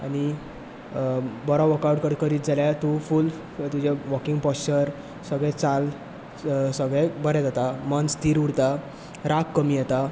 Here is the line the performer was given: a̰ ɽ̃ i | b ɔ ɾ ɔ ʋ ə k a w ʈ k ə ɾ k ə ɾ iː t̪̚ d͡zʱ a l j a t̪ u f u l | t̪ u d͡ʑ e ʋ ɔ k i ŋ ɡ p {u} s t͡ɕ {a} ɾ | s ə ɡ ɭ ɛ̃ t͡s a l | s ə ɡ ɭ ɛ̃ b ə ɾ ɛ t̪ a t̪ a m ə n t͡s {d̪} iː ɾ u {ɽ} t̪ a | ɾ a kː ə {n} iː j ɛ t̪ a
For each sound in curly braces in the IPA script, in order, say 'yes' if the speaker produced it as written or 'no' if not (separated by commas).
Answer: no, no, no, yes, no